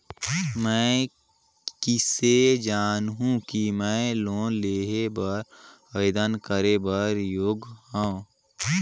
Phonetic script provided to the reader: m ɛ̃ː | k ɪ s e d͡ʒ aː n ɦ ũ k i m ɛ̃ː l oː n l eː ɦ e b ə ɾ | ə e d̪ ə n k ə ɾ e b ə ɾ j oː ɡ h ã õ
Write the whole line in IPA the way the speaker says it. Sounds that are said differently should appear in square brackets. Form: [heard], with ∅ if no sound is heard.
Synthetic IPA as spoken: m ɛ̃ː | k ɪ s e d͡ʒ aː n ɦ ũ k i m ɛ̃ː l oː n l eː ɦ e b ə ɾ | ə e d̪ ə n k ə ɾ e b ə ɾ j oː ɡ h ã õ